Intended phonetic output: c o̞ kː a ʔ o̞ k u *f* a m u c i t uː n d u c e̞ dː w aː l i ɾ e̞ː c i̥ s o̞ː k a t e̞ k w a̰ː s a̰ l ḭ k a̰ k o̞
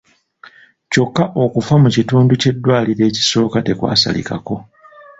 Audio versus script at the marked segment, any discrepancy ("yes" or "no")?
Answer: no